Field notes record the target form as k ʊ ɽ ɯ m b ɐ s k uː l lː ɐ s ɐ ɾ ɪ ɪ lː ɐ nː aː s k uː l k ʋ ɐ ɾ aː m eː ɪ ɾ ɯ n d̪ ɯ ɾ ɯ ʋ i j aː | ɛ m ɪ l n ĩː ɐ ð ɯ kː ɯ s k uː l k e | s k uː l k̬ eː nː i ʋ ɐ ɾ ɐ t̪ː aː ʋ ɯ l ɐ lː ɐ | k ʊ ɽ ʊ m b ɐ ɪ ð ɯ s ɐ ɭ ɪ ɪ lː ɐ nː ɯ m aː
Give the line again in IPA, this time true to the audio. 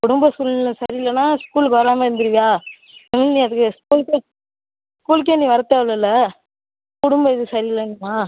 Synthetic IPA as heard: k ʊ ɽ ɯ m b ɐ s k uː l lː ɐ s ɐ ɾ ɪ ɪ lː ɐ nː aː s k uː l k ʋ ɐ ɾ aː m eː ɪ ɾ ɯ n d̪ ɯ ɾ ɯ ʋ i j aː | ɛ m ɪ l n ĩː ɐ ð ɯ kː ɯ s k uː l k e | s k uː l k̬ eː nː i ʋ ɐ ɾ ɐ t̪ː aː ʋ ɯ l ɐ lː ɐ | k ʊ ɽ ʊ m b ɐ ɪ ð ɯ s ɐ ɾ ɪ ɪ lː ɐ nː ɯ m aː